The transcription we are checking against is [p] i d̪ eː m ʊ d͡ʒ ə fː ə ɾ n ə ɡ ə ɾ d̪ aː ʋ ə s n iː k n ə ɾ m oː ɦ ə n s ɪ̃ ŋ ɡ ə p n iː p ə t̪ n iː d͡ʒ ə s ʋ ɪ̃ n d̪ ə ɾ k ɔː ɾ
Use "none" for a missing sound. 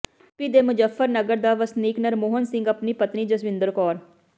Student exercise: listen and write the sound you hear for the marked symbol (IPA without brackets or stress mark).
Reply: p